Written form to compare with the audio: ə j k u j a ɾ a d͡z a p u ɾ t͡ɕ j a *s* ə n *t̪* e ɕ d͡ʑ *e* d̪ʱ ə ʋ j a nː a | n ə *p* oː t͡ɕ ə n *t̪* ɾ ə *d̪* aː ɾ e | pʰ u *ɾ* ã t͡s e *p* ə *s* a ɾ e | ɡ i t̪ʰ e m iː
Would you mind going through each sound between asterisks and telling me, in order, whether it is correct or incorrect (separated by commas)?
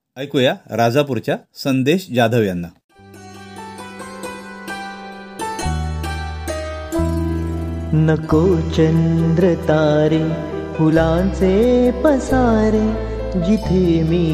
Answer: correct, incorrect, incorrect, incorrect, incorrect, incorrect, incorrect, correct, correct